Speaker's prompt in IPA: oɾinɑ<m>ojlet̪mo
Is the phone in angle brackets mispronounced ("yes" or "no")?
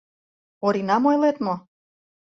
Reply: no